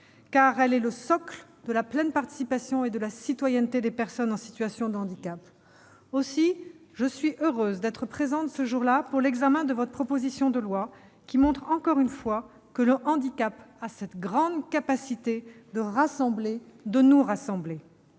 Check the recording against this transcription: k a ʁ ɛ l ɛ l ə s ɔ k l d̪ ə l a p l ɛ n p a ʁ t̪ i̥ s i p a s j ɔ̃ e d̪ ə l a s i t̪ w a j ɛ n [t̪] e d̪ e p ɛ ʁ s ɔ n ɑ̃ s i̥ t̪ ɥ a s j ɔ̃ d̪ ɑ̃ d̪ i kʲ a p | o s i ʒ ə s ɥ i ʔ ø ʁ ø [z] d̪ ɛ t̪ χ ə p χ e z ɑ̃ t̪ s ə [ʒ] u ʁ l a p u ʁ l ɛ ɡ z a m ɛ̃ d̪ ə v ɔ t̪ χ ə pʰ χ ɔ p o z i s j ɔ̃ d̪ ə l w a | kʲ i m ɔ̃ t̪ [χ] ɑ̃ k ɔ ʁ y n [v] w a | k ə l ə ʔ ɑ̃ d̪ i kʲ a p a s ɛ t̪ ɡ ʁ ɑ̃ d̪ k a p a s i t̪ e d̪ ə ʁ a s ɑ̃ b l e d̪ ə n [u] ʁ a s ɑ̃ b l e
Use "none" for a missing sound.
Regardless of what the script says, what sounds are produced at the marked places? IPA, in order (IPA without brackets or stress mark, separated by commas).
t̪, z, ʒ, χ, f, u